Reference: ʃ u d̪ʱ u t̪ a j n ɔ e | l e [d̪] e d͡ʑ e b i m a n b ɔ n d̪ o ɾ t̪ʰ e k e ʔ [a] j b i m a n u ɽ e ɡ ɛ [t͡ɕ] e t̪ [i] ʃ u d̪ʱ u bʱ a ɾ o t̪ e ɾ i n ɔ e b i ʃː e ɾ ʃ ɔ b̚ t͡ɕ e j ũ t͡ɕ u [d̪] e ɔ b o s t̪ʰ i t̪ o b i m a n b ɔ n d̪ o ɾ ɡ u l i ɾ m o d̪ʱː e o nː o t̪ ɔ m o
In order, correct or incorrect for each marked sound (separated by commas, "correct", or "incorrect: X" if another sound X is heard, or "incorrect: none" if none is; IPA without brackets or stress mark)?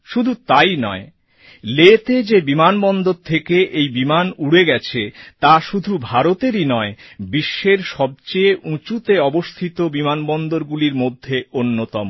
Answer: incorrect: t̪, incorrect: e, incorrect: t͡ɕʰ, incorrect: a, incorrect: t̪